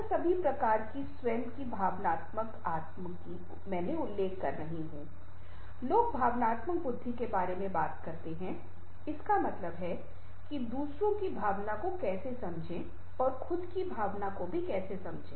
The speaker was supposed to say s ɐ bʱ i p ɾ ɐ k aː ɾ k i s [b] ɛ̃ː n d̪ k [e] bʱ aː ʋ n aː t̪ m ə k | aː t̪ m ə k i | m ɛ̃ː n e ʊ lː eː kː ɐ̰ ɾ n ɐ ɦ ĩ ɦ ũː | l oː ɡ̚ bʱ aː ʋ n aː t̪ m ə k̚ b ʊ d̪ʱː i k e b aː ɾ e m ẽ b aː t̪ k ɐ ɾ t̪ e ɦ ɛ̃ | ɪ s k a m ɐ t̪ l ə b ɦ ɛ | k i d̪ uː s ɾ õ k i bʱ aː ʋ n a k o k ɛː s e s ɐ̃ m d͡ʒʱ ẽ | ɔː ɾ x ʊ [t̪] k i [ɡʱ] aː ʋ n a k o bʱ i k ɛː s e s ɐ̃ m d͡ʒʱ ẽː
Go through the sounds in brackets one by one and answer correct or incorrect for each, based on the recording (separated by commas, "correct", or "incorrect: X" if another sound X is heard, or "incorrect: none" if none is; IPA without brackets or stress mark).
incorrect: w, incorrect: i, incorrect: d̪, incorrect: bʱ